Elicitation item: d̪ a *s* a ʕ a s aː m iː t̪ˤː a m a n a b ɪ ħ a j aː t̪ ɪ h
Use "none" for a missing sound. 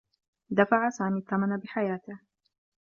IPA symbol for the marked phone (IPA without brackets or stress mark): f